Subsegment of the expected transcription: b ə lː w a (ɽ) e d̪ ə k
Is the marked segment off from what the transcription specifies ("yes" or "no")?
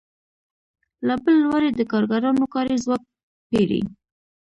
yes